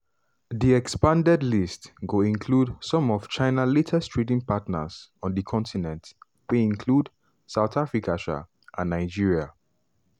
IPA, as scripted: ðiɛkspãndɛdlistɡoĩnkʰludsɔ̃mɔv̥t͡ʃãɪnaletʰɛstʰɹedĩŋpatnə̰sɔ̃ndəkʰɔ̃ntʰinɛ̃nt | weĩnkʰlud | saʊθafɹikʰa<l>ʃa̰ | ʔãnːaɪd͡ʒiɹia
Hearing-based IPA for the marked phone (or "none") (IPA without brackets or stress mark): none